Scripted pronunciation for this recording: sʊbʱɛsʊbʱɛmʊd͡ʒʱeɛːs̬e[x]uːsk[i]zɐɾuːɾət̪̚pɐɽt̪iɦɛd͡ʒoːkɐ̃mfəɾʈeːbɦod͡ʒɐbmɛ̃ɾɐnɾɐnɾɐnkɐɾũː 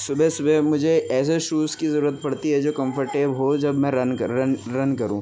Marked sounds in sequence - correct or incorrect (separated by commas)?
incorrect, correct